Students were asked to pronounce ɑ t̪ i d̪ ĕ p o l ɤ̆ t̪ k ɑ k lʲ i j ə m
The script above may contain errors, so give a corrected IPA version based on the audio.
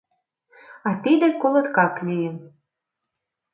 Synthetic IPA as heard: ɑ t̪ i d̪ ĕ k o l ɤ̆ t̪ k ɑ k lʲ i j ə m